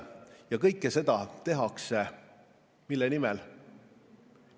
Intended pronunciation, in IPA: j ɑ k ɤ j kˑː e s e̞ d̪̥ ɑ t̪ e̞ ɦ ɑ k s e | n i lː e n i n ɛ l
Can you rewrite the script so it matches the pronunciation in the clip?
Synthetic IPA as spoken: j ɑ k ɤ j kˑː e s e̞ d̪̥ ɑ t̪ e̞ ɦ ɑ k s e | m i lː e n i m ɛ l